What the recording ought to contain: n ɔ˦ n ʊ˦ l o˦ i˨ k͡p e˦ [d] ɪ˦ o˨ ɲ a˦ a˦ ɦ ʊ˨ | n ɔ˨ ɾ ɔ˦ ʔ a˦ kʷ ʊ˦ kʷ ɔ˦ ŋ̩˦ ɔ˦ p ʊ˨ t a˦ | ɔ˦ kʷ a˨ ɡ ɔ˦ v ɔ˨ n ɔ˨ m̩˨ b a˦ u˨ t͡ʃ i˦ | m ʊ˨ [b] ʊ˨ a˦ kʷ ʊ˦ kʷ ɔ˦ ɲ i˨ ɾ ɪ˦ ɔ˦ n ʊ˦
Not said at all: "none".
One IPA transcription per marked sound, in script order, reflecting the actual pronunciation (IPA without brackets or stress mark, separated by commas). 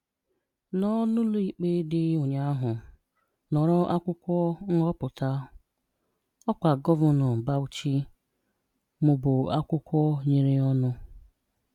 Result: d, b